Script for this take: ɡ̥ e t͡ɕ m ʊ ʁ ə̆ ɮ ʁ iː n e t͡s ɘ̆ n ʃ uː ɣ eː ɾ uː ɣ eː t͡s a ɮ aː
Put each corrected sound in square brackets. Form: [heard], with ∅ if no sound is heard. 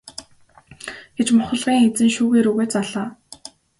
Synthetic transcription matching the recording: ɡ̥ e t͡ɕ m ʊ [χ] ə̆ ɮ ʁ iː [ŋ] e t͡s ɘ̆ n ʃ uː ɣ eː ɾ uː ɣ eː t͡s a ɮ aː